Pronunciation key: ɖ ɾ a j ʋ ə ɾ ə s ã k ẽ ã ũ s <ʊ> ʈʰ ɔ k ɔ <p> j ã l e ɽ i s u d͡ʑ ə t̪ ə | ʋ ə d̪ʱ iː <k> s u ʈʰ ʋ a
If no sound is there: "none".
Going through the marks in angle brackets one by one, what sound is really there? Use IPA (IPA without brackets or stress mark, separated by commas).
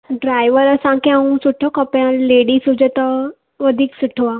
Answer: u, p, k